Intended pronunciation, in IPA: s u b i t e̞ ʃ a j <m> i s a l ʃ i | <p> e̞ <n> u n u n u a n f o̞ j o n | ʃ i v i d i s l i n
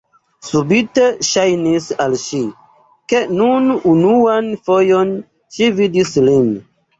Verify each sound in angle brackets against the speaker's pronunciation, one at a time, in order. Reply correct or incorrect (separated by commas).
incorrect, incorrect, correct